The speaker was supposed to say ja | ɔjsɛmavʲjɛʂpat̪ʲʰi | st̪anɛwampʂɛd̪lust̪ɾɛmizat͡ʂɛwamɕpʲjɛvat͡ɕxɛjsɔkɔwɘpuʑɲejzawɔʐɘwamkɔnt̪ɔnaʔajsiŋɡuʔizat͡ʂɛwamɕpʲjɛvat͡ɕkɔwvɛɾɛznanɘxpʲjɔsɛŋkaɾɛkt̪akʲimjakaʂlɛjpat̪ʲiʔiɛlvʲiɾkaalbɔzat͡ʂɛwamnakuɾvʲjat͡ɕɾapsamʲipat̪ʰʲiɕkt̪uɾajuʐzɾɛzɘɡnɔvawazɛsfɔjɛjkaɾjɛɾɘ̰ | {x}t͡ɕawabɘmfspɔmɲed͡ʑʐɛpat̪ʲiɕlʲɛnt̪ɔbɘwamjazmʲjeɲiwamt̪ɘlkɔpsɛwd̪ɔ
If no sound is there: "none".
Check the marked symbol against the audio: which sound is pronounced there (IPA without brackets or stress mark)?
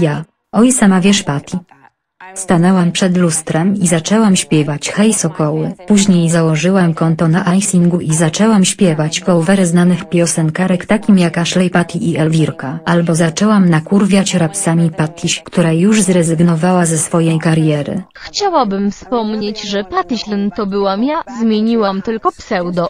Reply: x